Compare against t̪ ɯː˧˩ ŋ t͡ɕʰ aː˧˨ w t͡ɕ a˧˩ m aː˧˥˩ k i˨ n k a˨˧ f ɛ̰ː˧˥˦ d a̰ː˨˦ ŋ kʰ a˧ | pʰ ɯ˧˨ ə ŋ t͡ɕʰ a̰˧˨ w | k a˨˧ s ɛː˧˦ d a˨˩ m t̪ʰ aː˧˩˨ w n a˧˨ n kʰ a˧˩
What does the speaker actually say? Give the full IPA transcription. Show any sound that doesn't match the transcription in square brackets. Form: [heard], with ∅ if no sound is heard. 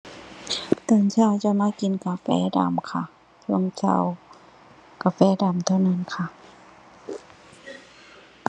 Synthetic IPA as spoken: t̪ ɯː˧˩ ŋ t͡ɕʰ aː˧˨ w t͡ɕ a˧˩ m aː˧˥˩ k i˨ n k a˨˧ f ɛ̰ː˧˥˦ d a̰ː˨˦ [m] kʰ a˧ | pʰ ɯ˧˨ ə ŋ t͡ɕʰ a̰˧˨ w | k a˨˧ [f] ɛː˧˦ d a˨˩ m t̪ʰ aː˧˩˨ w n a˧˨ n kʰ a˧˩